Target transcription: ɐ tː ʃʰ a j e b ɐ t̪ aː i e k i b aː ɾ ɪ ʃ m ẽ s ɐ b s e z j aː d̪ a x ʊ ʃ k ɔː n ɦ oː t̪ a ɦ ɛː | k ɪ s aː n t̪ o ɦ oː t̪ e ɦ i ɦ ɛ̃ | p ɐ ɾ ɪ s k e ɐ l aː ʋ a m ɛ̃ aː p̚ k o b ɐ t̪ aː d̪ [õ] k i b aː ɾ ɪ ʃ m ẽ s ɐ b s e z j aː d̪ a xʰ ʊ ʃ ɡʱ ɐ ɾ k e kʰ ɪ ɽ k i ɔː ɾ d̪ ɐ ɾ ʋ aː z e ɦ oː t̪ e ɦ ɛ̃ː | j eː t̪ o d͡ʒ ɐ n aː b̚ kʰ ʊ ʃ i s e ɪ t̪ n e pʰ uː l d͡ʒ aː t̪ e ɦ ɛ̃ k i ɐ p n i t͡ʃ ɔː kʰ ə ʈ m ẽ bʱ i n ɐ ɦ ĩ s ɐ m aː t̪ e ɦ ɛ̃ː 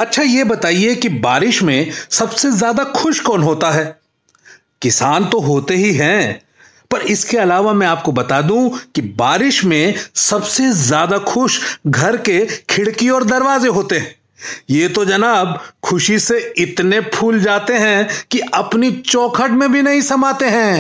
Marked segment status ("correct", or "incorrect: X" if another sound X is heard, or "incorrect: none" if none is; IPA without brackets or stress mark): incorrect: ũ